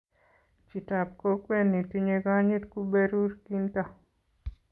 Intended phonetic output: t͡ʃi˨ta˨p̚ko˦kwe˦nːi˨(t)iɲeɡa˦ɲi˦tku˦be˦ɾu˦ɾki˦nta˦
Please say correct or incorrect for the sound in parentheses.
correct